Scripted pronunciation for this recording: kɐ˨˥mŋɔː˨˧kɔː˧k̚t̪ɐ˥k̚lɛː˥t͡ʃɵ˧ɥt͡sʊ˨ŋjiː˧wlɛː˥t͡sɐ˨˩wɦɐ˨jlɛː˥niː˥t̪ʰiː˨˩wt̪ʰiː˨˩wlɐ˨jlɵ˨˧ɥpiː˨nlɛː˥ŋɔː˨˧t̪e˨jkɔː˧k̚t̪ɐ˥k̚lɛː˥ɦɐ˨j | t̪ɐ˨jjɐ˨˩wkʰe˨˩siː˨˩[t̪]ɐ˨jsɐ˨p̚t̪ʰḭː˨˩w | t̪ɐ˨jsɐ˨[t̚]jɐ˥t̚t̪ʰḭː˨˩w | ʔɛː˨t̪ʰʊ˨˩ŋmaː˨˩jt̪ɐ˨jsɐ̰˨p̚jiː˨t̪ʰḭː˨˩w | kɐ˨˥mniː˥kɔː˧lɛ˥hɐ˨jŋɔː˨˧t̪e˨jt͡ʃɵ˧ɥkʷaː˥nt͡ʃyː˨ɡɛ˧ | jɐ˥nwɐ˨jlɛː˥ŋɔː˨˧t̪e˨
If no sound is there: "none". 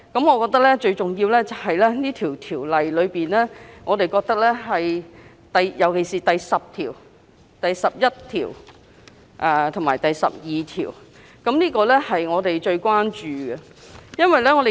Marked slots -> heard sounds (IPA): t̪, p̚

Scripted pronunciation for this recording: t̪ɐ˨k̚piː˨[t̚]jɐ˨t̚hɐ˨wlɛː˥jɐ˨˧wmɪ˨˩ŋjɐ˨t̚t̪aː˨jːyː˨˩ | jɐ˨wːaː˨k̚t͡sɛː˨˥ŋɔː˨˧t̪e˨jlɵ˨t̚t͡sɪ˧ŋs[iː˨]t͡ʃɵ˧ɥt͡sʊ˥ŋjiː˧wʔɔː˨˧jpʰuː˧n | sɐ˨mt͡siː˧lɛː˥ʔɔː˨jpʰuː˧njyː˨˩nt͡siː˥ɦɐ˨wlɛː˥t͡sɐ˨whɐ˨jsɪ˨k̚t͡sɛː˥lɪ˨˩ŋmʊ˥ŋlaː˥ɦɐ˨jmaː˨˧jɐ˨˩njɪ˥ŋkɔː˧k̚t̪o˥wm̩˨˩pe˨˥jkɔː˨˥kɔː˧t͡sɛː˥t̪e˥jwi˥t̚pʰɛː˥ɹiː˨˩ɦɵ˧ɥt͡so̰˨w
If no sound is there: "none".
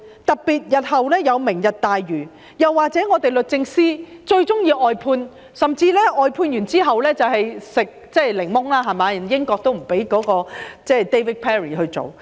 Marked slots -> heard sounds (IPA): t̚, iː˥

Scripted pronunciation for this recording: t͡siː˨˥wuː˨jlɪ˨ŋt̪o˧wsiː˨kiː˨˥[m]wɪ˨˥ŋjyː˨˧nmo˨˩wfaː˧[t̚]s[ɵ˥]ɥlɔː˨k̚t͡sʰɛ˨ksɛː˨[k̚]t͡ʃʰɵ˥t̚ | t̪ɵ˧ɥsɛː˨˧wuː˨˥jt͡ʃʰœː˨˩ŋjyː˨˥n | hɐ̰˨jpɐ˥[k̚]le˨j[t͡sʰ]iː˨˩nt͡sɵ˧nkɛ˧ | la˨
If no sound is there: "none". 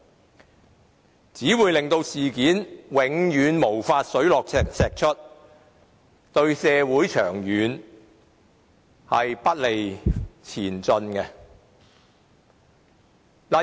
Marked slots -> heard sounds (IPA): n, t̚, ɵ˨˥, k̚, t̚, t͡sʰ

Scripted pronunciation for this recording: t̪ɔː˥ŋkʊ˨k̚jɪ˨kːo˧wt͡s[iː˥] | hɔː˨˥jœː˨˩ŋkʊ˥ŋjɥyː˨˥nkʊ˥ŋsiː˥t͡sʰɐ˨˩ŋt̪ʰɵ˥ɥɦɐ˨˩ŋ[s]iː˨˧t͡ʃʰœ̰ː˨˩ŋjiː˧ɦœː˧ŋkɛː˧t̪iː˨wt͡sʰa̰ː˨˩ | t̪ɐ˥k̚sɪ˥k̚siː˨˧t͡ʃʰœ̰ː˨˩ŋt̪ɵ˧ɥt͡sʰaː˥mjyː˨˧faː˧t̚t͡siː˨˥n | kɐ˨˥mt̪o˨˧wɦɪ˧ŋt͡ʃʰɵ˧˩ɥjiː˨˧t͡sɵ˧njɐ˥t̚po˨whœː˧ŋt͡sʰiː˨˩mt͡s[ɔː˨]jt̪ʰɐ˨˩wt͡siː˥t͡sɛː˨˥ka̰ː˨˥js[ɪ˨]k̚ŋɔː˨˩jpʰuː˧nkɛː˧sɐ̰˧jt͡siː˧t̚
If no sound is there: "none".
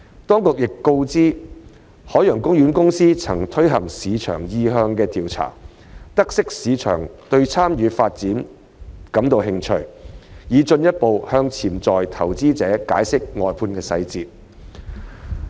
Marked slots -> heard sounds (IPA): iː˥, s, ɔː˨, ɪ˥

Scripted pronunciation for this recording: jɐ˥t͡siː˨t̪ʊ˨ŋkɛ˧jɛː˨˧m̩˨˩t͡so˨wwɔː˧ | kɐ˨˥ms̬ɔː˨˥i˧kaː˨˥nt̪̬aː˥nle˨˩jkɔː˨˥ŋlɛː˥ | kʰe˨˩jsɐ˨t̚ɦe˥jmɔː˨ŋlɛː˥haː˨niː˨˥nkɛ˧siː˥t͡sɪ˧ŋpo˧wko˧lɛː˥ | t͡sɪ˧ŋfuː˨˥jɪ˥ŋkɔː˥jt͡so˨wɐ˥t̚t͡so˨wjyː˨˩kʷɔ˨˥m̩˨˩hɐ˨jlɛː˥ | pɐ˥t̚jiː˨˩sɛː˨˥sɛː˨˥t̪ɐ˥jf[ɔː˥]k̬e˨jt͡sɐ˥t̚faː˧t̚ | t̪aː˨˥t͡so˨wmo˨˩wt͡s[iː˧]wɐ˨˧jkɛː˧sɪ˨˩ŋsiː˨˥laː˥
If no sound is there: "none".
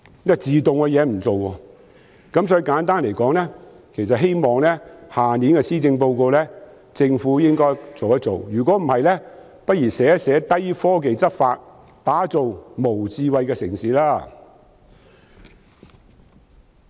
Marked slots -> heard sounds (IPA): ɔː˥, iː˧

